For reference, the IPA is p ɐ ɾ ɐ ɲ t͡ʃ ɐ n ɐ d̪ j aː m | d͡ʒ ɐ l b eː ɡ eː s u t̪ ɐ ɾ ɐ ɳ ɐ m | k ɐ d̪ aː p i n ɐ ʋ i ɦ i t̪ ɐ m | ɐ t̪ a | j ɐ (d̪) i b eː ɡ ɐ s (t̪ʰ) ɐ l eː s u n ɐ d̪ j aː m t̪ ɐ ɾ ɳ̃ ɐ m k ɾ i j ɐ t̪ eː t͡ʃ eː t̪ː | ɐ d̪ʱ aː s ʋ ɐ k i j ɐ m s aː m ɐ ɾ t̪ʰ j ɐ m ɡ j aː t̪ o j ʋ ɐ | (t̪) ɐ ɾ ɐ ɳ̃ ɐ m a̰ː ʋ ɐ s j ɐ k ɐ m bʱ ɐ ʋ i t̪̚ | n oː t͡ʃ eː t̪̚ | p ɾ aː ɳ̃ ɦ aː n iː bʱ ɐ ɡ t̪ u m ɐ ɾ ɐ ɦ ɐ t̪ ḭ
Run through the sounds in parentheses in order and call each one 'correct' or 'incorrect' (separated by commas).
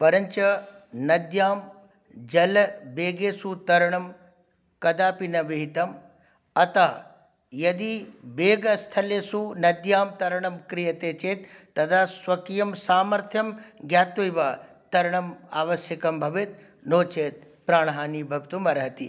correct, correct, correct